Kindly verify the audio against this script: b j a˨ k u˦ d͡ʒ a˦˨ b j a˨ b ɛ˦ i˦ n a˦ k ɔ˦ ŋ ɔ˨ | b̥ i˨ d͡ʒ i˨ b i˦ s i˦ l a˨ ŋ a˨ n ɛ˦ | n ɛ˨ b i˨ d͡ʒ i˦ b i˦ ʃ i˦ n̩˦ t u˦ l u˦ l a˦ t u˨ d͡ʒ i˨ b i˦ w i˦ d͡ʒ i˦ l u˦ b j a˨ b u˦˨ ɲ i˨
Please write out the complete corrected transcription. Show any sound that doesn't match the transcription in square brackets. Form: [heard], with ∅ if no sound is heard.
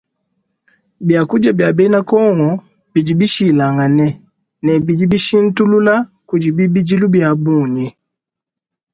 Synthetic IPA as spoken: b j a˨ k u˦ d͡ʒ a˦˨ b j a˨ b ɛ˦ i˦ n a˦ k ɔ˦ ŋ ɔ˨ | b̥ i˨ d͡ʒ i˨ b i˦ [ʃ] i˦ l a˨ ŋ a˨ n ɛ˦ | n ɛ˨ b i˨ d͡ʒ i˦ b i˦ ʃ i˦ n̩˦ t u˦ l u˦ l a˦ [k] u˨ d͡ʒ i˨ b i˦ [b] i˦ d͡ʒ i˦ l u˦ b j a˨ b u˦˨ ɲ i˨

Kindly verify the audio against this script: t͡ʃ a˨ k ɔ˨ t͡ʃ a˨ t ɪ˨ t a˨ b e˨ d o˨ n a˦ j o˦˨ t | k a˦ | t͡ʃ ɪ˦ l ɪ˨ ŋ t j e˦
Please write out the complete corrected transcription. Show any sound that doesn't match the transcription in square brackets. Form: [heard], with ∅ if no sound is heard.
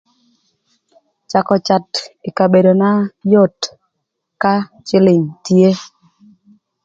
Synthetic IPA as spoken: t͡ʃ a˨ k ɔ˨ t͡ʃ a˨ t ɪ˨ [k] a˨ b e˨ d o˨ n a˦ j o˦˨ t | k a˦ | t͡ʃ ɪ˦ l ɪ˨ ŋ t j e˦

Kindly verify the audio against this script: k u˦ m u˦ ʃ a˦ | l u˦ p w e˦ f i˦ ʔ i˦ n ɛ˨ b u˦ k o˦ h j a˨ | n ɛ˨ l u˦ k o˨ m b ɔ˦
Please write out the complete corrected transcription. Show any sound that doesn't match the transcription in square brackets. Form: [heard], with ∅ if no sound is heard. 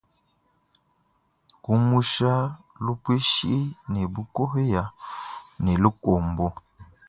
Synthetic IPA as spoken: k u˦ m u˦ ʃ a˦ | l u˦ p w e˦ [ʃ] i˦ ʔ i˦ n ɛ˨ b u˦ k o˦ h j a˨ | n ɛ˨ l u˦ k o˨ m b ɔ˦

